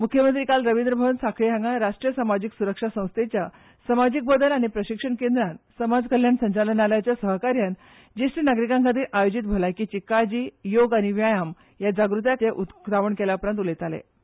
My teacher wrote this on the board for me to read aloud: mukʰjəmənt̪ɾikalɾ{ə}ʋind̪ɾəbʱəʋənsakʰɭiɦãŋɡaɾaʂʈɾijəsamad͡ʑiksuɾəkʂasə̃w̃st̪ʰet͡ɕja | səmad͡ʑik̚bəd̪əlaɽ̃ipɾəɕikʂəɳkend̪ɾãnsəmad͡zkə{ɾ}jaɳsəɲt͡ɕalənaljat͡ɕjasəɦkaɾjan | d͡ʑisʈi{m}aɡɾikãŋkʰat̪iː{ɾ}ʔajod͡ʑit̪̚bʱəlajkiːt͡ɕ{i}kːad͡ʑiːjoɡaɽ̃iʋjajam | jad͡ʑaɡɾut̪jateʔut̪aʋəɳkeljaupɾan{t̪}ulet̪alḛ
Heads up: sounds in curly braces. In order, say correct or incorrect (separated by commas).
correct, incorrect, incorrect, correct, correct, correct